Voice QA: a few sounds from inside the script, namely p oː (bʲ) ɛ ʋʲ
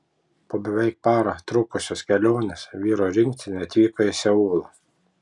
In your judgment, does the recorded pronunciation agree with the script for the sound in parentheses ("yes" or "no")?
yes